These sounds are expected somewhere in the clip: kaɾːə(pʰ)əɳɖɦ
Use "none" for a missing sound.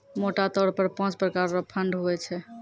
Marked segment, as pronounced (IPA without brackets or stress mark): pʰ